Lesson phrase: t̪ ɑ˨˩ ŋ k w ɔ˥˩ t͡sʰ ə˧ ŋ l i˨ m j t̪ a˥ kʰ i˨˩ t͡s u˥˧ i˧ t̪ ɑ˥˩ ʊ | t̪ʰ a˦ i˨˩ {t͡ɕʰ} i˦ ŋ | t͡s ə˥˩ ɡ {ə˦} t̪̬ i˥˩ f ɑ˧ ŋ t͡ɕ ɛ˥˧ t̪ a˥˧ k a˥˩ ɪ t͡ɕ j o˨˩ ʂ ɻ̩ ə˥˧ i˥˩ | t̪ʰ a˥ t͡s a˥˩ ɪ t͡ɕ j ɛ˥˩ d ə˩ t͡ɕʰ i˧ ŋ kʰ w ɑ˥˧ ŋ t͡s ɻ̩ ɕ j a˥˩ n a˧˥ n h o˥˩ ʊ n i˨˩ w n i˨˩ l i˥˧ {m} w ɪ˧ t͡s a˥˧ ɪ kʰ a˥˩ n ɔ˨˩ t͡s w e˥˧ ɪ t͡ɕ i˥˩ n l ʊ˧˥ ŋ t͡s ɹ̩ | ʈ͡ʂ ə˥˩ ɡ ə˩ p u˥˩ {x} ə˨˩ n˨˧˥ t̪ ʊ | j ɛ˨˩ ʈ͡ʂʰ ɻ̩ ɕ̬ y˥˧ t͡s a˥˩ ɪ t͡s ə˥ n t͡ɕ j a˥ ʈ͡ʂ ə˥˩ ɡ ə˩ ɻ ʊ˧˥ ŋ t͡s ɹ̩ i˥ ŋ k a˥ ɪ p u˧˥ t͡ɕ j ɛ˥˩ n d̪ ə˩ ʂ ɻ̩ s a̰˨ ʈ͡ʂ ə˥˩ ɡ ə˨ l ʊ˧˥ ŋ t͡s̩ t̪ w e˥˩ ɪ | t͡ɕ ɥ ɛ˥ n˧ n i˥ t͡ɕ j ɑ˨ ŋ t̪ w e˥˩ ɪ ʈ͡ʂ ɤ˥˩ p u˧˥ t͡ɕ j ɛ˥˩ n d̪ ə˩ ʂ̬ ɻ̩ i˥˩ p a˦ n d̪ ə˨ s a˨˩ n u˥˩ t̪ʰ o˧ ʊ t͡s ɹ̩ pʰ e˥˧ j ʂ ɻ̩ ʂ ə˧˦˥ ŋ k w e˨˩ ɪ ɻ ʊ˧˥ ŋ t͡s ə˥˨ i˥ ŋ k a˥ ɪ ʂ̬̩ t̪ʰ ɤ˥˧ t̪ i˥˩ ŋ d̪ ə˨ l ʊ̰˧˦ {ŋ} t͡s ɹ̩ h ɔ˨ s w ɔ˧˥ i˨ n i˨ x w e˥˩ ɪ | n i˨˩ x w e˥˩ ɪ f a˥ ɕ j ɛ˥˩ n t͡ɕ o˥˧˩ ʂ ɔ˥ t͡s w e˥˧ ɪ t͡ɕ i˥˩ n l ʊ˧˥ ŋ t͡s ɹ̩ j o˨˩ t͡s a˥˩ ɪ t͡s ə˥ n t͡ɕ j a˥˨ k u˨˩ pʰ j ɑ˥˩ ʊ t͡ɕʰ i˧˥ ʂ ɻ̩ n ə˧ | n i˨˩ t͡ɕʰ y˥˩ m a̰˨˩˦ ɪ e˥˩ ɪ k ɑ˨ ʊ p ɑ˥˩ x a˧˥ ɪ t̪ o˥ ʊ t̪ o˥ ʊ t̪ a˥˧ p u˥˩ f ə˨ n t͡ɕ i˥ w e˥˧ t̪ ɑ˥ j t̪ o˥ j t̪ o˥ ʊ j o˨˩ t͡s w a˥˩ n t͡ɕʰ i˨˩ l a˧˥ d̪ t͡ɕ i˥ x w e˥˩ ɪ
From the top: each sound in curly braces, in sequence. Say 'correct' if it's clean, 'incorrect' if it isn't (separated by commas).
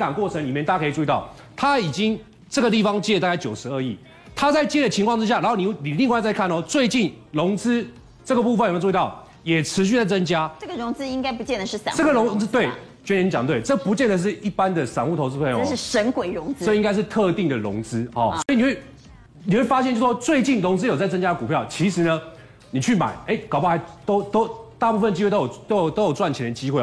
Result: incorrect, incorrect, incorrect, incorrect, correct